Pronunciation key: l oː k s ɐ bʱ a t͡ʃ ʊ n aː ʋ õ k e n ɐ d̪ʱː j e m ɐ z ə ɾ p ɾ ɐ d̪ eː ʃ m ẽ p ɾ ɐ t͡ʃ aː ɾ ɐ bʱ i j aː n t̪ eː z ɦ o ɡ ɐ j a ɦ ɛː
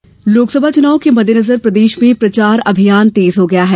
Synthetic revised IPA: l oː k s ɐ bʱ a t͡ʃ ʊ n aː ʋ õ k e m ɐ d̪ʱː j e n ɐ z ə ɾ p ɾ ɐ d̪ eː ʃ m ẽ p ɾ ɐ t͡ʃ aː ɾ ɐ bʱ i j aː n t̪ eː z ɦ o ɡ ɐ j a ɦ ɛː